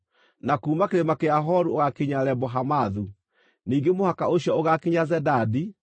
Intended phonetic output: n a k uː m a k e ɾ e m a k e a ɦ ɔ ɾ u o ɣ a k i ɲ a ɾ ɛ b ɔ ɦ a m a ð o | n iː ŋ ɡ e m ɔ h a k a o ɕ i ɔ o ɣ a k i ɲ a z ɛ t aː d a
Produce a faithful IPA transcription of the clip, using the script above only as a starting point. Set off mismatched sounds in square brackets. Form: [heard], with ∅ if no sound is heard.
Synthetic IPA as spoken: n a k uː m a k e ɾ e m a k e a ɦ ɔ ɾ u o ɣ a k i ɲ a ɾ ɛ b ɔ ɦ a m a ð [u] | n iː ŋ ɡ e m [o] h a k a o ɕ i ɔ o ɣ a k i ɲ a z ɛ [d] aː d [i]